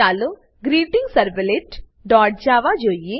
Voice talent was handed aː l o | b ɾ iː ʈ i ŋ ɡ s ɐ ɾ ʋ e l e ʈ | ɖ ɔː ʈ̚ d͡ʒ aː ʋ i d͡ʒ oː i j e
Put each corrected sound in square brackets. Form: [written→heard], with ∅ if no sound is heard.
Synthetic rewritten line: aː l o | [b→ɡ] ɾ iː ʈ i ŋ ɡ s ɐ ɾ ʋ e l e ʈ | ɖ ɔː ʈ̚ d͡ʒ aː ʋ [i→a] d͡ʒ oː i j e

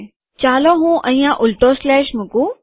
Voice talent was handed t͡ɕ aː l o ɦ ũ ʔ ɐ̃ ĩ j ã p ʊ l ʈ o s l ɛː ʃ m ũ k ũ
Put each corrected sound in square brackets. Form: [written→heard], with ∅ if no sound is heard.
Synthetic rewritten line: t͡ɕ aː l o ɦ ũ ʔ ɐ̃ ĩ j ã [p→ʔ] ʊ l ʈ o s l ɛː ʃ m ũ k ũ

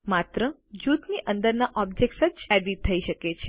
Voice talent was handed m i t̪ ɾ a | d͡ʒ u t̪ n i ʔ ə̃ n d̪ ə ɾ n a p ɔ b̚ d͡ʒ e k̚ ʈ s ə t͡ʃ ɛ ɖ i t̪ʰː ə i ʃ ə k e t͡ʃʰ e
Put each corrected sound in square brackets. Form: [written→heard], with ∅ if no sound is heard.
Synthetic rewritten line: m [i→a] t̪ ɾ [a→ə] | d͡ʒ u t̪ n i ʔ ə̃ n d̪ ə ɾ n a [p→ʔ] ɔ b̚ d͡ʒ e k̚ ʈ s ə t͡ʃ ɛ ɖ i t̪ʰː ə i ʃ ə k e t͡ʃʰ e

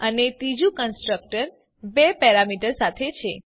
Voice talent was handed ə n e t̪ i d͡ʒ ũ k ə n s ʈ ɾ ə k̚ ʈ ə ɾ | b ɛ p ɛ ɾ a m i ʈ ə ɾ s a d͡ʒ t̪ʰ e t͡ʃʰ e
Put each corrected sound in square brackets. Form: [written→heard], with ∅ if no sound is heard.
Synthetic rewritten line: ə n e t̪ i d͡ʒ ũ k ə n s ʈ ɾ ə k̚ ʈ ə ɾ | b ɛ p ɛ ɾ a m i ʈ ə ɾ s a [d͡ʒ→∅] t̪ʰ e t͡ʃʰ e

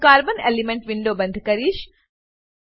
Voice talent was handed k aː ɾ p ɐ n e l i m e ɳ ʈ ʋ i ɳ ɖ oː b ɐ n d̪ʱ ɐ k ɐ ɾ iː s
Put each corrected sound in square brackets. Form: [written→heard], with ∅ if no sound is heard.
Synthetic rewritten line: k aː ɾ [p→b] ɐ n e l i m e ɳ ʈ ʋ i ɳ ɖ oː b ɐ n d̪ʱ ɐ k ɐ ɾ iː [s→ʃ]

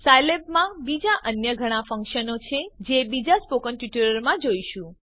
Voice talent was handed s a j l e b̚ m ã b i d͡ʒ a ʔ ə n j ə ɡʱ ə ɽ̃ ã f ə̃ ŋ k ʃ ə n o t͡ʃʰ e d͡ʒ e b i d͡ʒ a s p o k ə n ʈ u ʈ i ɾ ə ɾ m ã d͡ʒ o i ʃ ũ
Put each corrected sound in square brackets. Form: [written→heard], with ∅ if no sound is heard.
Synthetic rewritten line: s a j l e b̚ m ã b i d͡ʒ a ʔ ə n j ə ɡʱ ə ɽ̃ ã f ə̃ ŋ k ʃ ə n o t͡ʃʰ e d͡ʒ e b i d͡ʒ a s p o k ə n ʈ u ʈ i ɾ ə ɾ m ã d͡ʒ o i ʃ ũ

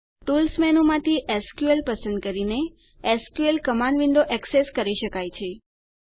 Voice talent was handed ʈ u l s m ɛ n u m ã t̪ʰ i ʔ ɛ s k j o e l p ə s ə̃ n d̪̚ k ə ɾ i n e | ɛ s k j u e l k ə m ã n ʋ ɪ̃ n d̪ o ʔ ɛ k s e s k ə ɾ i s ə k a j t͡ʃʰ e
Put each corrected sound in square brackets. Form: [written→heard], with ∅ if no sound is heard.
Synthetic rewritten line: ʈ u l s m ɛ n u m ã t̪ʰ i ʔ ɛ s k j [o→u] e l p ə s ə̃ n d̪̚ k ə ɾ i n e | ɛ s k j u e l k ə m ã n ʋ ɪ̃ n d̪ o ʔ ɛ k s e s k ə ɾ i [s→ʃ] ə k a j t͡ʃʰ e

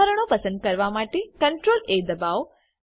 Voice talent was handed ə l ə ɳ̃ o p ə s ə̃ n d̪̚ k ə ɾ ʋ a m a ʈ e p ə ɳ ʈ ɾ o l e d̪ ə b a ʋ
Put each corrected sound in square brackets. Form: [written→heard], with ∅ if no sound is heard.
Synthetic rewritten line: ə [l→ɾ] ə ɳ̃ o p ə s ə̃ n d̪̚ k ə ɾ ʋ a m a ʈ e [p→k] ə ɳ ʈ ɾ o l e d̪ ə b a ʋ

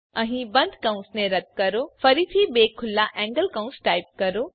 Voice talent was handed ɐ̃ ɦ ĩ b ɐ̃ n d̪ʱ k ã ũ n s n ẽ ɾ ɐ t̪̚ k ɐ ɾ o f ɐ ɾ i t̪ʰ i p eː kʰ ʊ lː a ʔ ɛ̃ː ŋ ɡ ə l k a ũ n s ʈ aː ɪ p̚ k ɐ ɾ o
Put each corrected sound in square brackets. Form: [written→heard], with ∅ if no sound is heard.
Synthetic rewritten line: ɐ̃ ɦ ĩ b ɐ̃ n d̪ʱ k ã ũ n s n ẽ ɾ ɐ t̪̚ k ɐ ɾ o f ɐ ɾ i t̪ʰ i [p→b] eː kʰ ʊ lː a ʔ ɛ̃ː ŋ ɡ ə l k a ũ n s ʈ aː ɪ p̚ k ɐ ɾ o

